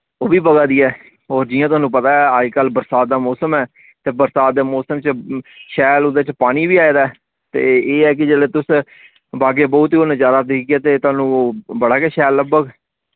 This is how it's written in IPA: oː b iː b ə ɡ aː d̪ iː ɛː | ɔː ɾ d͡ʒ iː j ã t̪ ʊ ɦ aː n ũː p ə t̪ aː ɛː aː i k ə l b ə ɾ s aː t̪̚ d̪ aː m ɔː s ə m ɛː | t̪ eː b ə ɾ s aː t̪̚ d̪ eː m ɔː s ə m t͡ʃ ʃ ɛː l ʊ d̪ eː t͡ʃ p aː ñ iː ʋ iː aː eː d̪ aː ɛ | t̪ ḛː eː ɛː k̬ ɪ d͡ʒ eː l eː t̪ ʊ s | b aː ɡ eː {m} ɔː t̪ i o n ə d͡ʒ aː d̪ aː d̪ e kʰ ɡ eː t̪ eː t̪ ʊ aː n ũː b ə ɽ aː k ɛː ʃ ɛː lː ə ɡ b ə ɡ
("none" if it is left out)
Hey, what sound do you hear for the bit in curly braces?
b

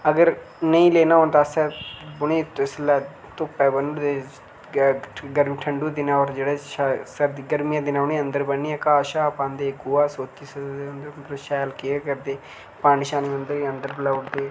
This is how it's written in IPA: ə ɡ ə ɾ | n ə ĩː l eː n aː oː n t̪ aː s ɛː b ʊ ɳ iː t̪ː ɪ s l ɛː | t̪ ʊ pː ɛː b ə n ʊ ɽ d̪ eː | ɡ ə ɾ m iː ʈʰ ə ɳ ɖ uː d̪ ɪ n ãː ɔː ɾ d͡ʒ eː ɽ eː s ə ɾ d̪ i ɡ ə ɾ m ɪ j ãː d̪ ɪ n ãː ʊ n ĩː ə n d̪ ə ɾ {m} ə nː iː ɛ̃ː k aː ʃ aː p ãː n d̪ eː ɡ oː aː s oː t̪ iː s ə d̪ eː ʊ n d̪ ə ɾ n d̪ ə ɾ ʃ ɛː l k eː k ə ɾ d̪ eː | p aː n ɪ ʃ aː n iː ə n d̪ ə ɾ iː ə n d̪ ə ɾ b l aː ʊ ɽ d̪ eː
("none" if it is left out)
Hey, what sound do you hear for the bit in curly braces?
b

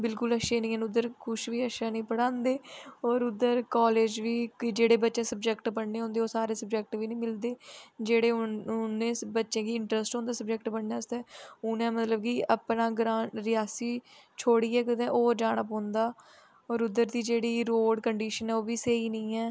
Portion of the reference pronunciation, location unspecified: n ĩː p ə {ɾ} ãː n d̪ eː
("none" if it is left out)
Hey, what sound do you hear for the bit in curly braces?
ɽ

